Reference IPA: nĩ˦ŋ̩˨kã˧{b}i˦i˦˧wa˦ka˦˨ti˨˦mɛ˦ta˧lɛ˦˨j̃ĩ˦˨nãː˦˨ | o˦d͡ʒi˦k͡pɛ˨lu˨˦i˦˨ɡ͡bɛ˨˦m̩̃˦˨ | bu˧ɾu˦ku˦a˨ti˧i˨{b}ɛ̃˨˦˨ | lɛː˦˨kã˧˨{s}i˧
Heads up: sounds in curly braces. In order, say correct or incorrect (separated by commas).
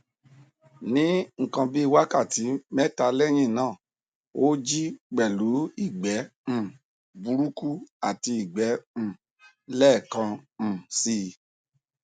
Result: correct, incorrect, correct